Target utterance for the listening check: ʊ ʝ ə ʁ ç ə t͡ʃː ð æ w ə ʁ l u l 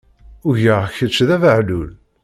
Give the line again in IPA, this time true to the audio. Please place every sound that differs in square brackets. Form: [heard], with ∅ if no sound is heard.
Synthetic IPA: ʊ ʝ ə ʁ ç ə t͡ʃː ð æ [v] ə [ʕ] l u l